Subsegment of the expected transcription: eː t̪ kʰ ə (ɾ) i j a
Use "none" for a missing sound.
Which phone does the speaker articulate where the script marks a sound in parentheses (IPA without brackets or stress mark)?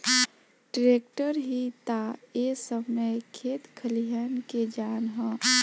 l